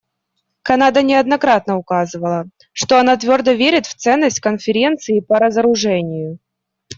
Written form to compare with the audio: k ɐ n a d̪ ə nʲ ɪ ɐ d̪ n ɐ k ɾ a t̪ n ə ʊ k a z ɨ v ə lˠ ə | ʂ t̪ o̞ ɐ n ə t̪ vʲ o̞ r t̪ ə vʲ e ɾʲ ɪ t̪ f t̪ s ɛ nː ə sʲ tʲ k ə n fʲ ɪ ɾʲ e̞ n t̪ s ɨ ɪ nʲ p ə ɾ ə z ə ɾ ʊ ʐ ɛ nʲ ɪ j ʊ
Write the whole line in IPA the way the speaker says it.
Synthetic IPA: k ɐ n a d̪ ə nʲ ɪ ɐ d̪ n ɐ k ɾ a t̪ n ə ʊ k a z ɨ v ə lˠ ə | ʂ t̪ o̞ ɐ n a t̪ vʲ o̞ r d̪ ə vʲ e ɾʲ ɪ t̪ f t̪ s ɛ nː ə sʲ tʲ k ə n fʲ ɪ ɾʲ e̞ n t̪ s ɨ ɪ p ə ɾ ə z ə ɾ ʊ ʐ ɛ nʲ ɪ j ʊ